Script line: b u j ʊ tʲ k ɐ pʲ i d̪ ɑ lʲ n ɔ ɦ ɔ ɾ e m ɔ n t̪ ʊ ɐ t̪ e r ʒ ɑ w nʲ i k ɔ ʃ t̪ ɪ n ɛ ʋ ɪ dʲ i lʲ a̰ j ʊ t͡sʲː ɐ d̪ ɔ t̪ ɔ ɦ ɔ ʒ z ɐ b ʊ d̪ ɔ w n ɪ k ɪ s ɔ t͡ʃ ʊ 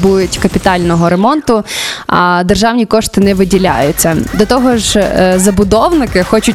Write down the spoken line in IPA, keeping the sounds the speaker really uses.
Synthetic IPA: b u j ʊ tʲ k ɐ pʲ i t̪ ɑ lʲ n ɔ ɦ ɔ ɾ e m ɔ n t̪ ʊ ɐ d̪ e r ʒ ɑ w nʲ i k ɔ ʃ t̪ ɪ n ɛ ʋ ɪ dʲ i lʲ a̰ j ʊ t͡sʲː ɐ d̪ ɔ t̪ ɔ ɦ ɔ ʒ z ɐ b ʊ d̪ ɔ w n ɪ k ɪ x ɔ t͡ʃ ʊ